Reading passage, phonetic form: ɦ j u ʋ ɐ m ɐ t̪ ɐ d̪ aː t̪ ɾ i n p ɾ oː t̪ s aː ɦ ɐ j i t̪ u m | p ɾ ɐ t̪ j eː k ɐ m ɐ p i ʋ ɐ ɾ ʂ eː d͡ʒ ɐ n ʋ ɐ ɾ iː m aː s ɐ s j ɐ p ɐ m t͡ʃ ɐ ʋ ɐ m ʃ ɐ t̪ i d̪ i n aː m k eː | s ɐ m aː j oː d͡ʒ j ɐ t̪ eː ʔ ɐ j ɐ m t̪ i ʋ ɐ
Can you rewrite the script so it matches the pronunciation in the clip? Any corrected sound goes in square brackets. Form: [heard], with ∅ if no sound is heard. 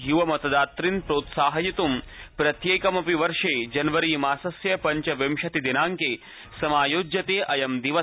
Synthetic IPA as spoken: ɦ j u ʋ ɐ m ɐ t̪ ɐ d̪ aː t̪ ɾ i n p ɾ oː t̪ s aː ɦ ɐ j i t̪ u m | p ɾ ɐ t̪ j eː k ɐ m ɐ p i ʋ ɐ ɾ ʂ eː d͡ʒ ɐ n ʋ ɐ ɾ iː m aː s ɐ s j ɐ p ɐ [ɲ] t͡ʃ ɐ ʋ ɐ m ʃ ɐ t̪ i d̪ i n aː [ŋ] k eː | s ɐ m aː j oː d͡ʒ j ɐ t̪ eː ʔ ɐ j ɐ m [d̪] i ʋ ɐ

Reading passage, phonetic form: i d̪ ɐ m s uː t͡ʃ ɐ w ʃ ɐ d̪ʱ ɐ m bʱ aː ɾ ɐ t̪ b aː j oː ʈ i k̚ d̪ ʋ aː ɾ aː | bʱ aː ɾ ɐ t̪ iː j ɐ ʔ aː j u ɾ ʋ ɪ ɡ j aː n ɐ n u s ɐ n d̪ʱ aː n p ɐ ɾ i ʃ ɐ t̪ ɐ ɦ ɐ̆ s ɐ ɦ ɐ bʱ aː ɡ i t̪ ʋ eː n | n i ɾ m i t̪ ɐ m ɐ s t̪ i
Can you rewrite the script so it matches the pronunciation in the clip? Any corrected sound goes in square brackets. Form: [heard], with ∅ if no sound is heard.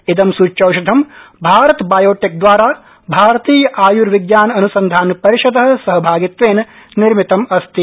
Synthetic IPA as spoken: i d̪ ɐ m s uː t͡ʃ ɐ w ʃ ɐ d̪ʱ ɐ m bʱ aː ɾ ɐ t̪ b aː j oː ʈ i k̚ d̪ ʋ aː ɾ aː | bʱ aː ɾ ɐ t̪ iː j ɐ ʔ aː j u ɾ ʋ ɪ ɡ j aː n ɐ n u s ɐ n d̪ʱ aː n p ɐ ɾ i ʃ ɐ [d̪] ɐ ɦ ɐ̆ s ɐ ɦ ɐ bʱ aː ɡ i t̪ ʋ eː n | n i ɾ m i t̪ ɐ m ɐ s t̪ i

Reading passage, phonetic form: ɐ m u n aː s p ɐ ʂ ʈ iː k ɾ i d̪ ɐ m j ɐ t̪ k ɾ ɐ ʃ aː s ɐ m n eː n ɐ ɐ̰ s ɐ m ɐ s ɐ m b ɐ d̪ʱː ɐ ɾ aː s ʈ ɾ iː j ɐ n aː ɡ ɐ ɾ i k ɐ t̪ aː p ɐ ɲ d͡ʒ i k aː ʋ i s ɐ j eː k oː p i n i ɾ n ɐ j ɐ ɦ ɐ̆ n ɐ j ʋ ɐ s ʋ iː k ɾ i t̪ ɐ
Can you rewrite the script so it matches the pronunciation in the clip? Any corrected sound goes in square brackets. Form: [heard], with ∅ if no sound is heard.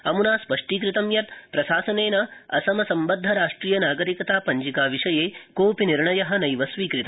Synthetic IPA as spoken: ɐ m u n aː s p ɐ ʂ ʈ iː k ɾ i [t̪] ɐ m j ɐ t̪ [p] ɾ ɐ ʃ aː s ɐ [∅] n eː n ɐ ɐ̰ s ɐ m ɐ s ɐ m b ɐ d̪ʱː ɐ ɾ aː [ʂ] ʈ ɾ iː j ɐ n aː ɡ ɐ ɾ i k ɐ t̪ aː p ɐ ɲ d͡ʒ i k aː ʋ i [ʂ] ɐ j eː k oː p i n i ɾ [ɳ] ɐ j ɐ ɦ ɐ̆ n ɐ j ʋ ɐ s ʋ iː k ɾ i t̪ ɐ

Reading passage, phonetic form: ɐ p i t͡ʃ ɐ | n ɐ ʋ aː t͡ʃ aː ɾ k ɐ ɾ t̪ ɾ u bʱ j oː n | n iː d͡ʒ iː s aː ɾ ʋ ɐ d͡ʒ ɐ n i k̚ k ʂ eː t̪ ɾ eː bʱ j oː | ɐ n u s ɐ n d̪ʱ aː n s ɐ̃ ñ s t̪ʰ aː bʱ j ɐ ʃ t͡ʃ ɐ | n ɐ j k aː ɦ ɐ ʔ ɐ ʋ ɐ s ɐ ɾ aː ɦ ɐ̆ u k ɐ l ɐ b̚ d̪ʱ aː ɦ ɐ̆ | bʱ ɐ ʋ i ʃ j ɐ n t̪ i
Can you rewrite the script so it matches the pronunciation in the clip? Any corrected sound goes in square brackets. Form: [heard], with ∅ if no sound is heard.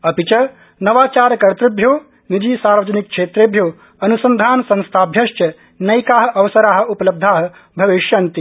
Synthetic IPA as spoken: ɐ p i t͡ʃ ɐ | n ɐ ʋ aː t͡ʃ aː ɾ k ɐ ɾ t̪ ɾ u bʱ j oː [∅] | n [i] d͡ʒ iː s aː ɾ ʋ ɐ d͡ʒ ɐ n i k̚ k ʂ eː t̪ ɾ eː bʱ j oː | ɐ n u s ɐ n d̪ʱ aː n s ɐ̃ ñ s t̪ʰ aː bʱ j ɐ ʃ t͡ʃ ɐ | n ɐ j k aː ɦ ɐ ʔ ɐ ʋ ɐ s ɐ ɾ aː ɦ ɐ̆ u [p] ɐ l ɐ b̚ d̪ʱ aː ɦ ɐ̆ | bʱ ɐ ʋ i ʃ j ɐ n t̪ i

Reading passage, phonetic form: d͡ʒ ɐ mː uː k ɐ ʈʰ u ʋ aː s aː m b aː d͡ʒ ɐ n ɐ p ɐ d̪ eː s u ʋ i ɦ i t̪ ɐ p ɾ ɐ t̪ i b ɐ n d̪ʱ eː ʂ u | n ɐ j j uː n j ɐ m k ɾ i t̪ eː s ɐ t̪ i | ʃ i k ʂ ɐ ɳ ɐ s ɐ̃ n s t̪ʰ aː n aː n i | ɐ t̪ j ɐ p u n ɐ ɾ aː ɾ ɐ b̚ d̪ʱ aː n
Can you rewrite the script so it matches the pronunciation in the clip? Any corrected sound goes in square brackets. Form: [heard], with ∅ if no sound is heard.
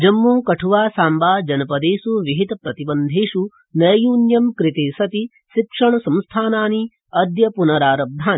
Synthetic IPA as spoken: d͡ʒ ɐ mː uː k ɐ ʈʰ u ʋ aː s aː m b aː d͡ʒ ɐ n ɐ p ɐ d̪ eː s u ʋ i ɦ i t̪ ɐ p ɾ ɐ t̪ i b ɐ n d̪ʱ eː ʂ u | n ɐ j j uː n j ɐ m k ɾ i t̪ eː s ɐ t̪ i | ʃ i k ʂ ɐ ɳ ɐ s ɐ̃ [m] s t̪ʰ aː n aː n i | ɐ [d̪] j ɐ p u n ɐ ɾ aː ɾ ɐ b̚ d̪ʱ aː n

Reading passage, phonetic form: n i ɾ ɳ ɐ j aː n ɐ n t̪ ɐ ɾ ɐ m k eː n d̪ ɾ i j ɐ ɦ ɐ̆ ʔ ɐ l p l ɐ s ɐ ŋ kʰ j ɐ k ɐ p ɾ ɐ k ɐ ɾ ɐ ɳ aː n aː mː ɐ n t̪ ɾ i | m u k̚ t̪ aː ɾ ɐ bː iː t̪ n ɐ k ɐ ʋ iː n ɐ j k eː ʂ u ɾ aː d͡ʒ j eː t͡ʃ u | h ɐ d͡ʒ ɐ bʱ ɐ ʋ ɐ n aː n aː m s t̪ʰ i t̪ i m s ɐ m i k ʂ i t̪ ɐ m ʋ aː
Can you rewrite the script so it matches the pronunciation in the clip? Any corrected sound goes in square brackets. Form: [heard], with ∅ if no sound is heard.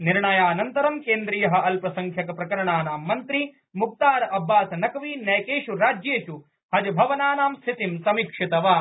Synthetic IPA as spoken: n i ɾ ɳ ɐ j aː n ɐ n t̪ ɐ ɾ ɐ m k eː n d̪ ɾ i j ɐ ɦ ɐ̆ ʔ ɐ l p [ɾ] ɐ s ɐ ŋ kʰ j ɐ k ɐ p ɾ ɐ k ɐ ɾ ɐ ɳ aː n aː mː ɐ n t̪ ɾ i | m u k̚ t̪ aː ɾ ɐ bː [aː] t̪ n ɐ k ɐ ʋ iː n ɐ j k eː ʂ u ɾ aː d͡ʒ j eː t͡ʃ u | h ɐ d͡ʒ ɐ bʱ ɐ ʋ ɐ n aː n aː m s t̪ʰ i t̪ i m s ɐ m i k ʂ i t̪ ɐ [∅] ʋ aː

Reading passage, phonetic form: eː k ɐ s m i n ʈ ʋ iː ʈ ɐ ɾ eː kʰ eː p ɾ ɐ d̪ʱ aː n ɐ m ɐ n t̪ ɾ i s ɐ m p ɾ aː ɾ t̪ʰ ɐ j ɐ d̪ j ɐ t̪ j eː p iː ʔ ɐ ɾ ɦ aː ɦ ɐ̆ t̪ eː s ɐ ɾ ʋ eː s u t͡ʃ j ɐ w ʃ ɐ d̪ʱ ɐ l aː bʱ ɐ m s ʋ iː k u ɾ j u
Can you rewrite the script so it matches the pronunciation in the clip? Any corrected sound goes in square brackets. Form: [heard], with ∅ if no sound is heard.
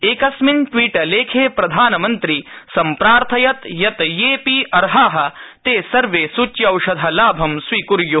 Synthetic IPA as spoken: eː k ɐ s m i n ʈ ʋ iː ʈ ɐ [l] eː kʰ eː p ɾ ɐ d̪ʱ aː n ɐ m ɐ n t̪ ɾ i s ɐ m p ɾ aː ɾ t̪ʰ ɐ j ɐ [t̪] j ɐ t̪ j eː p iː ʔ ɐ ɾ ɦ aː ɦ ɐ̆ t̪ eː s ɐ ɾ ʋ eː s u t͡ʃ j ɐ w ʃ ɐ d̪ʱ ɐ l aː bʱ ɐ m s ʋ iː k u ɾ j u

